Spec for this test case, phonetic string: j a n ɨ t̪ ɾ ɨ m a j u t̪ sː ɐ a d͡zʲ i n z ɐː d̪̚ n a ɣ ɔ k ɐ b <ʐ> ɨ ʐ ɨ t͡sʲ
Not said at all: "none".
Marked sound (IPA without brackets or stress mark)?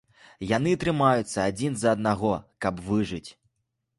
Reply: v